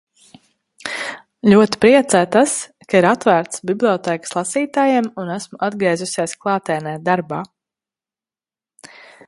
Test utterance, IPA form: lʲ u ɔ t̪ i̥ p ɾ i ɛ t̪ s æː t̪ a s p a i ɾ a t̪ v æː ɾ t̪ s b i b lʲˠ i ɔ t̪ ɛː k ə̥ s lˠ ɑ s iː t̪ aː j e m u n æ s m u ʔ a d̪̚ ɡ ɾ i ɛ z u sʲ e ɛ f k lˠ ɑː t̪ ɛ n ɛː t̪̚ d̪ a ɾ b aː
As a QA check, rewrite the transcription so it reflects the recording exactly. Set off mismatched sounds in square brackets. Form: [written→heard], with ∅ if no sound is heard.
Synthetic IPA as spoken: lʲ u ɔ t̪ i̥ p ɾ i ɛ t̪ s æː t̪ a s [p→k] a i ɾ a t̪ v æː ɾ t̪ s b i b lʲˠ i ɔ t̪ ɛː k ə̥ s lˠ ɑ s iː t̪ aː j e m u n æ s m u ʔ a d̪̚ ɡ ɾ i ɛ z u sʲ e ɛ [f→s] k lˠ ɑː t̪ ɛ n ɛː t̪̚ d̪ a ɾ b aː